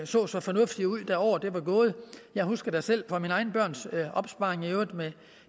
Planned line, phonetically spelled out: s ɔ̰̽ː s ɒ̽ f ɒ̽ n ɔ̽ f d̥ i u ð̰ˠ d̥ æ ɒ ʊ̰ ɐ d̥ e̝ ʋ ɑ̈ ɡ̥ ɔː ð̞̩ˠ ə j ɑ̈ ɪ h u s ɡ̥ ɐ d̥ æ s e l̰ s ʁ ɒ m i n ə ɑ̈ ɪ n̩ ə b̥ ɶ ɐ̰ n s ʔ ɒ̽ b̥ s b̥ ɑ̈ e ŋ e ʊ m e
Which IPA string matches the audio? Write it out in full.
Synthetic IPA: s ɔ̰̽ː s ɒ̽ f ɒ̽ n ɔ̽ f d̥ i u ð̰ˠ d̥ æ ɒ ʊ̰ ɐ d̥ e̝ ʋ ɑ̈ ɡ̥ ɔː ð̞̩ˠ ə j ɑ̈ ɪ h u s ɡ̥ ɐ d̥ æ s e l̰ f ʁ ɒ m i n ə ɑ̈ ɪ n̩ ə b̥ ɶ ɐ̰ n s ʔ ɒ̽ b̥ s b̥ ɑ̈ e ŋ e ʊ m e